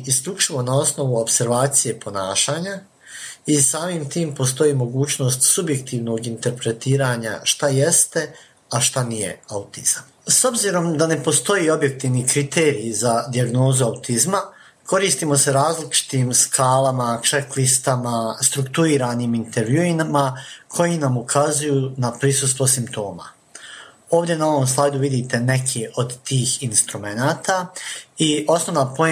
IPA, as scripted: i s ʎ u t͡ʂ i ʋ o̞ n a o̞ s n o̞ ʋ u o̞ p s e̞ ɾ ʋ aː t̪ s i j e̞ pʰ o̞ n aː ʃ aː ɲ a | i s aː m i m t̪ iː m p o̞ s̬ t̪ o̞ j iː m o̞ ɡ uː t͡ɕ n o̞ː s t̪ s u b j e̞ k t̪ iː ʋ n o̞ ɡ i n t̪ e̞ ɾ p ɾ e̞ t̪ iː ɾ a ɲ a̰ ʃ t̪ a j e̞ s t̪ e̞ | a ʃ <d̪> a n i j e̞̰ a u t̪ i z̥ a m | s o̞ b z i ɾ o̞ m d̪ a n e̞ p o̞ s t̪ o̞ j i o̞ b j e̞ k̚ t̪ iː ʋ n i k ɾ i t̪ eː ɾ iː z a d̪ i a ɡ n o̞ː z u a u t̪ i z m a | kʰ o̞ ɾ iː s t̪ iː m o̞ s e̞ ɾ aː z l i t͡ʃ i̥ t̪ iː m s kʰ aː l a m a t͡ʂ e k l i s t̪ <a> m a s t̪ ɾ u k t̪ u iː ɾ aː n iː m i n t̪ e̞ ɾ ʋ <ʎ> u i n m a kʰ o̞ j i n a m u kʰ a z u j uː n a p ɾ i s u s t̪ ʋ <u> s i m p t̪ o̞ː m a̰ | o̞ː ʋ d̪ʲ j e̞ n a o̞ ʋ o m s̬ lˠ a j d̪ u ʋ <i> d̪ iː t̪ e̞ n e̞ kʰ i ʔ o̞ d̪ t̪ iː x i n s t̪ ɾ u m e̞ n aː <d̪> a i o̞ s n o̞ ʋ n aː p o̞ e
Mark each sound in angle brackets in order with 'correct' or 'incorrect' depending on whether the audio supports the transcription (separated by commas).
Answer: incorrect, correct, incorrect, incorrect, correct, incorrect